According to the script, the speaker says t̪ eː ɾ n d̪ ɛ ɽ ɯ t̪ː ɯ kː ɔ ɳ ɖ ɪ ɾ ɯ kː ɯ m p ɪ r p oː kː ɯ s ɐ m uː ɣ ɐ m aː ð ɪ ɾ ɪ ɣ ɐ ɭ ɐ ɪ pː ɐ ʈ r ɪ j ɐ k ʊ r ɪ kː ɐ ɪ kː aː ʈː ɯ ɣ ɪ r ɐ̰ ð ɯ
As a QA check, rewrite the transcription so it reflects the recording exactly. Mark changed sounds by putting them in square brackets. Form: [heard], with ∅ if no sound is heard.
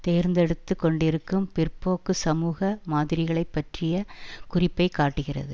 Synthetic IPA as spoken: t̪ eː ɾ n d̪ ɛ ɽ ɯ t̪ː ɯ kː ɔ ɳ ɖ ɪ ɾ ɯ kː ɯ m p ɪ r p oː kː ɯ s ɐ m uː ɣ ɐ m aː ð ɪ ɾ ɪ ɣ ɐ ɭ ɐ ɪ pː ɐ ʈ r ɪ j ɐ k ʊ r ɪ [pː] ɐ ɪ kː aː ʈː ɯ ɣ ɪ r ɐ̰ ð ɯ